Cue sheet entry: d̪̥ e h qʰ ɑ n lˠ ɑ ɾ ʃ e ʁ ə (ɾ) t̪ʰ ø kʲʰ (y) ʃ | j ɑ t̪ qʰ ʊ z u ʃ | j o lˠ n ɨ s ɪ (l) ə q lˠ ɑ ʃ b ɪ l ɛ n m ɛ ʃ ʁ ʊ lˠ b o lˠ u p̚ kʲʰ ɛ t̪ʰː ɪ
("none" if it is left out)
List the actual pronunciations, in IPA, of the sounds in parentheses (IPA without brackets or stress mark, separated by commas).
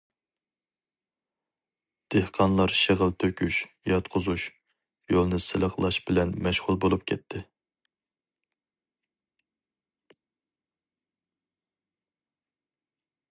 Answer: l, y, l